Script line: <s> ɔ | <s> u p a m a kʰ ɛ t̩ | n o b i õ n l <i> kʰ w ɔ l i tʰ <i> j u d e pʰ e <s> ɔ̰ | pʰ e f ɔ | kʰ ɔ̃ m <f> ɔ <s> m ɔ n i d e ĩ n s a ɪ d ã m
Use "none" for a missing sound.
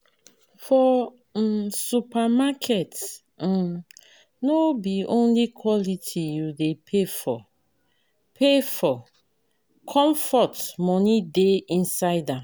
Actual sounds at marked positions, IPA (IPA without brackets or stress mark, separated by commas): f, s, i, i, f, f, t